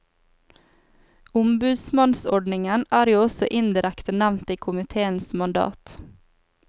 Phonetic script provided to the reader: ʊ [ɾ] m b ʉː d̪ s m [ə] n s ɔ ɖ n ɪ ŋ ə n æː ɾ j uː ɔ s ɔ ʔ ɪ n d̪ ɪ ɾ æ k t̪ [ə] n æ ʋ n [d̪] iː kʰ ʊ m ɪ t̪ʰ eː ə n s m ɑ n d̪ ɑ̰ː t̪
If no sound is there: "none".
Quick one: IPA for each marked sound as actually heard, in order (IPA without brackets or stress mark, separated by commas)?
none, ɑ, ə, t̪